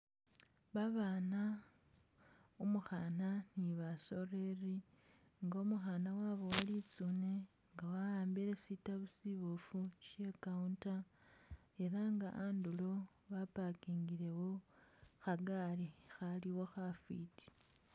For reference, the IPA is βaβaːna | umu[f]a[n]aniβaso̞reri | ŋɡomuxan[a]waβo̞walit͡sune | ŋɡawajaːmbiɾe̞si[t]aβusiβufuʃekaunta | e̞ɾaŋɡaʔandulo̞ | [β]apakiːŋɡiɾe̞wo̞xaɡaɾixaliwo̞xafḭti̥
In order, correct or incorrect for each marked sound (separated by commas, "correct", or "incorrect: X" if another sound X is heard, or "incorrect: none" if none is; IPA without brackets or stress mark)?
incorrect: x, correct, correct, correct, correct